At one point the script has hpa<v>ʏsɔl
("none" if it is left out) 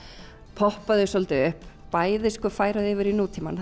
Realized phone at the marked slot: ð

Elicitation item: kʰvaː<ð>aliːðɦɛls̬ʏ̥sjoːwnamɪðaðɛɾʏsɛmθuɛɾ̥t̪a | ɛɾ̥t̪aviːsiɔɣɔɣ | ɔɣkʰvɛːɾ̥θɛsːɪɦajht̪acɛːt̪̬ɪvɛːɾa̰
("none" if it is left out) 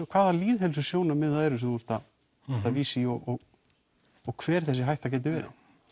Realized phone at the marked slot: ð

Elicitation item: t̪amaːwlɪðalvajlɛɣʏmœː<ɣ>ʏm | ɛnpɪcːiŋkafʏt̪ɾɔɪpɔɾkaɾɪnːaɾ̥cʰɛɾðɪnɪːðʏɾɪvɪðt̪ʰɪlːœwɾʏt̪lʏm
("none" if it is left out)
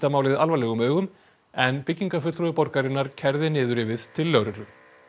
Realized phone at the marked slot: ɣ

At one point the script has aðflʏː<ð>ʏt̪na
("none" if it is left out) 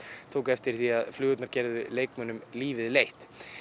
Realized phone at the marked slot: ɣ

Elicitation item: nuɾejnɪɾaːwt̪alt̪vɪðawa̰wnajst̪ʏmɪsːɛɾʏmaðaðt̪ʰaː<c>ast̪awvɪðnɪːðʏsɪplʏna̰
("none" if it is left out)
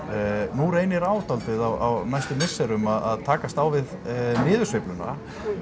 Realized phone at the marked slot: k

